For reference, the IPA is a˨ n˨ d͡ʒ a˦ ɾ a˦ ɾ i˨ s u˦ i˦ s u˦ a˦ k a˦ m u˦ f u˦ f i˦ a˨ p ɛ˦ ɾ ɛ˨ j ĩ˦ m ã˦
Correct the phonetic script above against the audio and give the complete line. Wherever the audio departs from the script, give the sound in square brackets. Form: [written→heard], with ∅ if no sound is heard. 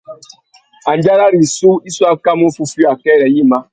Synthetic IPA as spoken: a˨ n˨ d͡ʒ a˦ ɾ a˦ ɾ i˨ s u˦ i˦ s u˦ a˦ k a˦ m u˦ f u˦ f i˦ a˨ [p→k] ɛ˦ ɾ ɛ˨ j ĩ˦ m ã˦